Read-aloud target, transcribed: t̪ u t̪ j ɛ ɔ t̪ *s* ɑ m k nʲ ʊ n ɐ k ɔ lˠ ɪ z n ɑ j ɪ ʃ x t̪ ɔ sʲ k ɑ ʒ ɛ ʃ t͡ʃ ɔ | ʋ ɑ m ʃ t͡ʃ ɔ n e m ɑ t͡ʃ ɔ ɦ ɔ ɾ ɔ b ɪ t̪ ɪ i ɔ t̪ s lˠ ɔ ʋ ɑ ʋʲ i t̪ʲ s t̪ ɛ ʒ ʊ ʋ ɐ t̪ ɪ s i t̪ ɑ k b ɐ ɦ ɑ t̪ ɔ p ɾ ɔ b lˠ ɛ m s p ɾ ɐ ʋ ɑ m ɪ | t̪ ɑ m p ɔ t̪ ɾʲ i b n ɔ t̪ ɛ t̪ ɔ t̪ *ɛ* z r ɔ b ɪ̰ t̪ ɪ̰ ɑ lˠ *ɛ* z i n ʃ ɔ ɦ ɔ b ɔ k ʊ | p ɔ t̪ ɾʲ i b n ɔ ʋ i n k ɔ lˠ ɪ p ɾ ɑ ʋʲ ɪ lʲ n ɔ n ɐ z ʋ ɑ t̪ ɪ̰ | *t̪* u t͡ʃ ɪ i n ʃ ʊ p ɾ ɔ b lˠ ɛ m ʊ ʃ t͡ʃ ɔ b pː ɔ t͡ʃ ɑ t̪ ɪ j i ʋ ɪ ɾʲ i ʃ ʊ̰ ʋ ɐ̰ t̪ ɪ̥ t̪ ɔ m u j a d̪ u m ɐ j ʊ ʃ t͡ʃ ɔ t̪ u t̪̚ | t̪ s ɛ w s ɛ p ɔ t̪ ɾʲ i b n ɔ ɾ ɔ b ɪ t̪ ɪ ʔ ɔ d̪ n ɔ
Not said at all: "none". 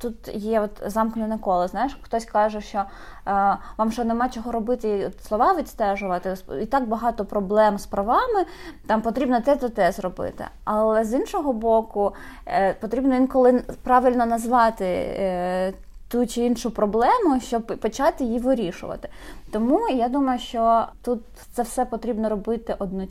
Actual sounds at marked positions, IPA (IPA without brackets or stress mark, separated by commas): z, ɛ, ɛ, t̪